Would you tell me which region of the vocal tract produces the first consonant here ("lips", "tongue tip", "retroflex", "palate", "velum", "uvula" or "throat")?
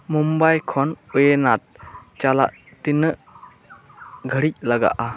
lips